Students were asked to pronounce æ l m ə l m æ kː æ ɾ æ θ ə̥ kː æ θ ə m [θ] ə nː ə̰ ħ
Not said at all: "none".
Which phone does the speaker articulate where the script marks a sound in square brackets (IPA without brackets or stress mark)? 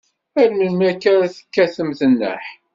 θ